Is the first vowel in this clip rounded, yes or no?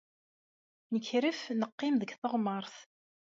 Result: no